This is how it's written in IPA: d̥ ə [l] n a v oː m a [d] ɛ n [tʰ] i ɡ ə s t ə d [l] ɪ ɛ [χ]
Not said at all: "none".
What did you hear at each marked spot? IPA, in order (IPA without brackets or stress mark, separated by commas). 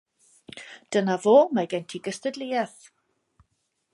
none, ɡ, tʰ, l, θ